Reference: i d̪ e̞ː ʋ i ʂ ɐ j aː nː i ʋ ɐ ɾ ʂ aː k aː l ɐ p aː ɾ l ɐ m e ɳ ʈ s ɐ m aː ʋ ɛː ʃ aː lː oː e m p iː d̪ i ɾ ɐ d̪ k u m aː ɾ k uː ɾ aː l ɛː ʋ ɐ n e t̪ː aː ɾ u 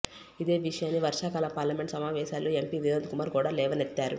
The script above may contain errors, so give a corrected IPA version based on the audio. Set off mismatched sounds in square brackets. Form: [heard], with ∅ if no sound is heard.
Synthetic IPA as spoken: i d̪ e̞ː ʋ i ʂ ɐ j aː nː i ʋ ɐ ɾ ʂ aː k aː l ɐ p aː ɾ l ɐ m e ɳ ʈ s ɐ m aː ʋ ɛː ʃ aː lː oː e m p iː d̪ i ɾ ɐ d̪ k u m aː ɾ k uː [ɽ] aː l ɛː ʋ ɐ n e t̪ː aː ɾ u